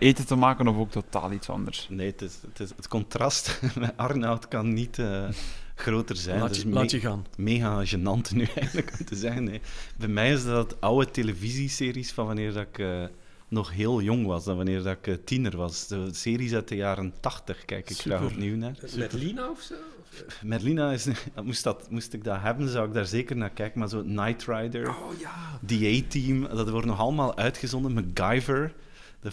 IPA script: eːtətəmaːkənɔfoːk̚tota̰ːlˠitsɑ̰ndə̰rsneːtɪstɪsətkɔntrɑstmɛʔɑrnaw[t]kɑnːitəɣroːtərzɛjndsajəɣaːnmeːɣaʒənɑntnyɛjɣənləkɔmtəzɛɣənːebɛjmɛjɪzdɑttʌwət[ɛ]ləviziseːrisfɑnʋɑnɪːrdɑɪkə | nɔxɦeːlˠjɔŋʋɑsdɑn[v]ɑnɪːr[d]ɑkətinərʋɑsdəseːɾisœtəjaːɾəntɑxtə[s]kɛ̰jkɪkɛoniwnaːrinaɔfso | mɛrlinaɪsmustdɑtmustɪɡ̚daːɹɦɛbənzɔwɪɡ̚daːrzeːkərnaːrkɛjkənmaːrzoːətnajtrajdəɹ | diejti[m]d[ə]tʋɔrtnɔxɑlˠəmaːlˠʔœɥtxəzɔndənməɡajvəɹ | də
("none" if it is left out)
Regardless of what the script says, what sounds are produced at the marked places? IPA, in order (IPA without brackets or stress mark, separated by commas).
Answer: t, e, ʋ, d, x, m, ɑ